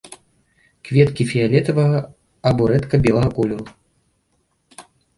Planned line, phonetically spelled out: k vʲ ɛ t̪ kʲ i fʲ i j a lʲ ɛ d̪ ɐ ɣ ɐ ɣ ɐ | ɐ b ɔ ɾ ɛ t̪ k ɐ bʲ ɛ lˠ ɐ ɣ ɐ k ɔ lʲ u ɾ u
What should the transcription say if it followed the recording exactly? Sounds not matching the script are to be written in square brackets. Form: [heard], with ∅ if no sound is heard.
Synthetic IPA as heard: k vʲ ɛ t̪ kʲ i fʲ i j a lʲ ɛ [t̪] ɐ [v] ɐ ɣ ɐ | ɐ b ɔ ɾ ɛ t̪ k ɐ bʲ ɛ lˠ ɐ ɣ ɐ k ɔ lʲ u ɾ u